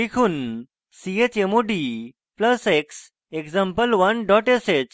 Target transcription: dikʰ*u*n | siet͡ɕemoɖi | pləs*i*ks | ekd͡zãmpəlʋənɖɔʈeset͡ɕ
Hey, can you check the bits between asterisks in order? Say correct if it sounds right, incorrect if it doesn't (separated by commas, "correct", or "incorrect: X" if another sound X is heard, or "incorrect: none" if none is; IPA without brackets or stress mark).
incorrect: uː, incorrect: e